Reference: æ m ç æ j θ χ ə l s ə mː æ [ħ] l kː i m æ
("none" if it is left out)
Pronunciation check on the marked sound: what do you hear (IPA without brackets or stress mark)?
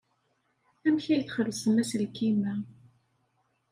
s